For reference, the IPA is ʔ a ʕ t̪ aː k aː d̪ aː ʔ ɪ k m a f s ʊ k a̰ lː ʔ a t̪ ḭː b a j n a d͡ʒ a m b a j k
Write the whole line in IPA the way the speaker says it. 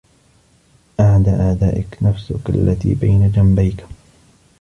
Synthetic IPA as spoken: ʔ a ʕ d̪ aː ʔ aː d̪ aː ʔ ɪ k n a f s ʊ k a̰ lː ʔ a t̪ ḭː b a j n a d͡ʒ a m b a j k